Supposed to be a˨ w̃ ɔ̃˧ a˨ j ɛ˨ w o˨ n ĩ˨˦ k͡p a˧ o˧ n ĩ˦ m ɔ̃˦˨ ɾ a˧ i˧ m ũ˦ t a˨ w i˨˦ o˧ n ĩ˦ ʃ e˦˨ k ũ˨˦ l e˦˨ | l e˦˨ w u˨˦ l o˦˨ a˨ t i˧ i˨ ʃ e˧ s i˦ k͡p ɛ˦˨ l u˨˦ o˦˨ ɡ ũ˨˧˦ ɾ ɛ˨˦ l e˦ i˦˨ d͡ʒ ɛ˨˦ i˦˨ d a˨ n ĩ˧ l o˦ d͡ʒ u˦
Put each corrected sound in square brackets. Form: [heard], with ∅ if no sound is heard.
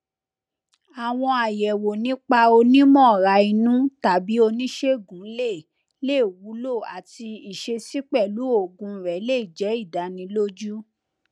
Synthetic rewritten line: a˨ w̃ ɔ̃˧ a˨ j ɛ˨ w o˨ n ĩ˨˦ k͡p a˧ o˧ n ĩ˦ m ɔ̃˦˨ ɾ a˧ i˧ [n] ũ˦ t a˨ [b] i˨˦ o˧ n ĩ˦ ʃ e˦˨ [ɡ] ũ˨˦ l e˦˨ | l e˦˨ w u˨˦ l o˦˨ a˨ t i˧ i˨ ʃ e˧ s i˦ k͡p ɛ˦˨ l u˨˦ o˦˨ ɡ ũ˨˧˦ ɾ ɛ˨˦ l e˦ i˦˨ d͡ʒ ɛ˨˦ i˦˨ d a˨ n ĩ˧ l o˦ d͡ʒ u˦